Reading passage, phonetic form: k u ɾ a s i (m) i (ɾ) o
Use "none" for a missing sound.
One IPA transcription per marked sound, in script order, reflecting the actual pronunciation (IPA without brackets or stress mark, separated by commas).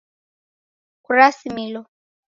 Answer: m, l